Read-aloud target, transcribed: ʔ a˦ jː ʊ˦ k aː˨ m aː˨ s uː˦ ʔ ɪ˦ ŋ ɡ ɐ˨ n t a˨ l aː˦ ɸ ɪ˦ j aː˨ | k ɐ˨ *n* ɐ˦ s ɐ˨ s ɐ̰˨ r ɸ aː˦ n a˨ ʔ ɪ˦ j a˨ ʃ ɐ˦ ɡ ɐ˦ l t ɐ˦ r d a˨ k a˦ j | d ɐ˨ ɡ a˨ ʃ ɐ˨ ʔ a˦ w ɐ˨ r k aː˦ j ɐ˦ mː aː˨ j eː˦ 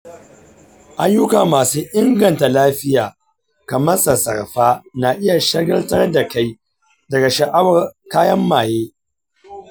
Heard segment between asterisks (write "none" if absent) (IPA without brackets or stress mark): m